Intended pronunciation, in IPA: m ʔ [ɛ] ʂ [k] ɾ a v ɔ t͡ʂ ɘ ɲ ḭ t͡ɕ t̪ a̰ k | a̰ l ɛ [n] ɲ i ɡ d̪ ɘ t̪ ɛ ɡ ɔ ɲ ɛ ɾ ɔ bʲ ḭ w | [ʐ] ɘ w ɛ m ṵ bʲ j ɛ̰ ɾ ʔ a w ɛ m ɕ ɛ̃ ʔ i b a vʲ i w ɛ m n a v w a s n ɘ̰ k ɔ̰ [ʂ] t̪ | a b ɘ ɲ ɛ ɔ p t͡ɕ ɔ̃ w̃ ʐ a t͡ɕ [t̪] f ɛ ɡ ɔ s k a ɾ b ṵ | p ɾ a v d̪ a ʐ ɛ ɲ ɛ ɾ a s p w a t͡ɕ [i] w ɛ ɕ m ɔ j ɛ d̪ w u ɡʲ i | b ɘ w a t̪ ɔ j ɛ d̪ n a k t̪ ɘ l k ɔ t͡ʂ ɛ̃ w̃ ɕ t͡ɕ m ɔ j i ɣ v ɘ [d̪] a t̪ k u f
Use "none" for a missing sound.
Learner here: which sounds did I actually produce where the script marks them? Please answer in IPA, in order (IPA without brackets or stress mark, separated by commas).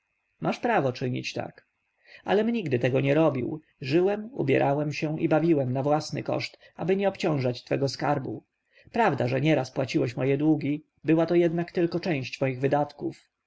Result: a, p, m, ʐ, ʂ, t̪, i, d̪